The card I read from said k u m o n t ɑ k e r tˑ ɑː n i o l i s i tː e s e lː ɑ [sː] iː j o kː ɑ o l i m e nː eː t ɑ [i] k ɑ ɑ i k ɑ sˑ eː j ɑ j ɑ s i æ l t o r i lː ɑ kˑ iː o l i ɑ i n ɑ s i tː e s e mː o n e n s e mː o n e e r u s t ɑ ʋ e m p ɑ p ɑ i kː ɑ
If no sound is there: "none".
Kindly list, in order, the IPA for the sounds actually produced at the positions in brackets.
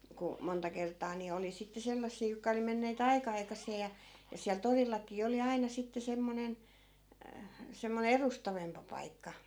sː, i

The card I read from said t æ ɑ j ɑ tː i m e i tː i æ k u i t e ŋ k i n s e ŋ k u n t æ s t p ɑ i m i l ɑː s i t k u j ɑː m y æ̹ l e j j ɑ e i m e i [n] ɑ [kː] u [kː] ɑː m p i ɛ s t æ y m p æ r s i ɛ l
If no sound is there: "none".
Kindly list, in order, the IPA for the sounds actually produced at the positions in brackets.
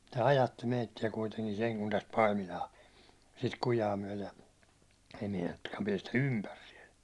n, tː, kː

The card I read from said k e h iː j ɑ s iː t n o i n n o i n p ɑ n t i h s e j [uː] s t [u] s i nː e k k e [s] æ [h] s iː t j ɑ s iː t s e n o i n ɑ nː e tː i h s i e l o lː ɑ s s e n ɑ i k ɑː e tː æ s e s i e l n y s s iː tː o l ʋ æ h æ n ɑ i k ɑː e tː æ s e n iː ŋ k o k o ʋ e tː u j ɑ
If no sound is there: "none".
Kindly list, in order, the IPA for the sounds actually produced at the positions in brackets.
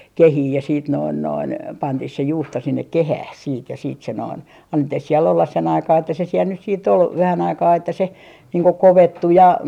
uː, o, h, h

